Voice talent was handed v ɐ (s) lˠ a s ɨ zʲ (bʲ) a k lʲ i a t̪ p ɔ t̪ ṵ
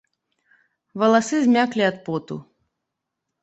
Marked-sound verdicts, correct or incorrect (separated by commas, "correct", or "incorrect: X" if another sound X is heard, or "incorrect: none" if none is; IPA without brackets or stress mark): incorrect: none, incorrect: mʲ